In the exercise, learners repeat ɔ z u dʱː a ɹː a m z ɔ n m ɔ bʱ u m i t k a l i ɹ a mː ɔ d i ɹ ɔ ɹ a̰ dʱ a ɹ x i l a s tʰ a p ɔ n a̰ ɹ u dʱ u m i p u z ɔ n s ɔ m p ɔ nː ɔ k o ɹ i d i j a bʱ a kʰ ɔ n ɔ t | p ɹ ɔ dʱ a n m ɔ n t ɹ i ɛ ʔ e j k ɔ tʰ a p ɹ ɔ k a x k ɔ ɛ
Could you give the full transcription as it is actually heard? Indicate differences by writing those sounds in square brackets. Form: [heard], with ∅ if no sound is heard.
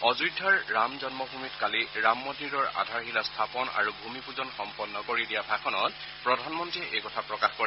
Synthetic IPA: ɔ z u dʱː a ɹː a m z ɔ n m ɔ bʱ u m i t k a l i ɹ a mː ɔ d i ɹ ɔ ɹ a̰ dʱ a ɹ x i l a s tʰ a p ɔ n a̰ ɹ u [bʱ] u m i p u z ɔ n [x] ɔ m p ɔ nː ɔ k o ɹ i d i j a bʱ a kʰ ɔ n ɔ t | p ɹ ɔ dʱ a n m ɔ n t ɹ i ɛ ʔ e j k ɔ tʰ a p ɹ ɔ k a x k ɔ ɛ